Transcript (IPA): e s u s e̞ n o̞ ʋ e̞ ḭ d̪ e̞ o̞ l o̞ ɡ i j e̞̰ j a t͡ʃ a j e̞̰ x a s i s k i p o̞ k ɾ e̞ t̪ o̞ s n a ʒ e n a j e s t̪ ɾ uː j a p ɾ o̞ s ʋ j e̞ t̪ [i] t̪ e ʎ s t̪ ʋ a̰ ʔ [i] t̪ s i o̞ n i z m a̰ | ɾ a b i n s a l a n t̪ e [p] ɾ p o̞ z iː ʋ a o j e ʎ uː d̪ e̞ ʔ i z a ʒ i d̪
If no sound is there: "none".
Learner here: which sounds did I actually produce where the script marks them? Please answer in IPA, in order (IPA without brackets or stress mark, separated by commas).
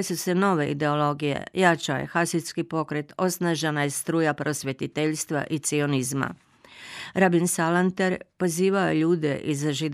i, i, none